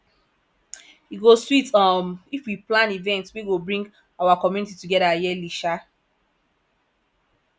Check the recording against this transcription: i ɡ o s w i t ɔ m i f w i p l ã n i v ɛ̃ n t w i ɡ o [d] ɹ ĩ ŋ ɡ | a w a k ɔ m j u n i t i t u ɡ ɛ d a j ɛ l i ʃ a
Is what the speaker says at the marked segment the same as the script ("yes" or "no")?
no